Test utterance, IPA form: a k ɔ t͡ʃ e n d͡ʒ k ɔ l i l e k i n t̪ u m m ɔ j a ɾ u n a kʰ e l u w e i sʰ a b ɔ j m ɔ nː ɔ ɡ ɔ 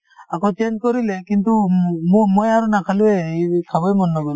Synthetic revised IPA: a k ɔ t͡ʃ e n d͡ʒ k ɔ ɾ i l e k i n t̪ u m m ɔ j a ɾ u n a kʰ a l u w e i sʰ a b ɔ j m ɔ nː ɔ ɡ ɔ